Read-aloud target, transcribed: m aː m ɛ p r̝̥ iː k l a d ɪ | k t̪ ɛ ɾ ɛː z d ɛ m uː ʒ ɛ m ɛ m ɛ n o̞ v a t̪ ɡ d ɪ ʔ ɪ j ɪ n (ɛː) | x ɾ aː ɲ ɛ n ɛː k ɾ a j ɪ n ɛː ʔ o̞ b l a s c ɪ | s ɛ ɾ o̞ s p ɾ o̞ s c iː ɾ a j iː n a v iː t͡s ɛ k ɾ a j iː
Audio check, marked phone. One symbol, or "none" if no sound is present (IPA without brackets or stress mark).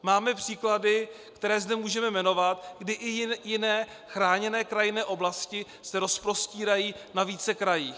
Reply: ɛː